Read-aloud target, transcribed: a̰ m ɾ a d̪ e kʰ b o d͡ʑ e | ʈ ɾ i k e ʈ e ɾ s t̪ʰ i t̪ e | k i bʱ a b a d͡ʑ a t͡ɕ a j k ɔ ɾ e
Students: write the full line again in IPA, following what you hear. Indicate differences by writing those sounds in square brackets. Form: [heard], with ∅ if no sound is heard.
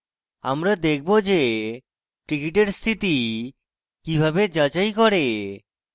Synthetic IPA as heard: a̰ m ɾ a d̪ e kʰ b o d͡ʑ e | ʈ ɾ i k [i] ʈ e ɾ s t̪ʰ i t̪ [i] | k i bʱ a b [e] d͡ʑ a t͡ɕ a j k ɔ ɾ e